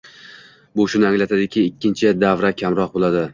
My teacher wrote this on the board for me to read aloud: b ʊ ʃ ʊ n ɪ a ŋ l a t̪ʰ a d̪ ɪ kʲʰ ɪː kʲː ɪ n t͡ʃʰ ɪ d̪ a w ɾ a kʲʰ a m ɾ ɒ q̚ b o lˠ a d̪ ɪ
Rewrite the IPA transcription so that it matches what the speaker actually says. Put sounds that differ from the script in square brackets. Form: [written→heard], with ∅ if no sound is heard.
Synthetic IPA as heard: b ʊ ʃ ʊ n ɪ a ŋ l a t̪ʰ a d̪ ɪ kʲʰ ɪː kʲː ɪ n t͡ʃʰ ɪ d̪ a [w→v] ɾ a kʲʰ a m ɾ ɒ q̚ b o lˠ a d̪ ɪ